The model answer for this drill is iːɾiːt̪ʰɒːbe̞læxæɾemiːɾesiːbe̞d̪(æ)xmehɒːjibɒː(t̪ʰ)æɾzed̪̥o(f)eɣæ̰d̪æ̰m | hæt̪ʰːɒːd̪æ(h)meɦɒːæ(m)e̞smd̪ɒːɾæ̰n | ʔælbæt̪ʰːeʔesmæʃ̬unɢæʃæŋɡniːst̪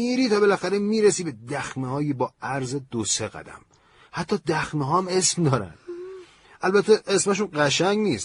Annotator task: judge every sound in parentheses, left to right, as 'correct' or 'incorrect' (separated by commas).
correct, incorrect, incorrect, incorrect, correct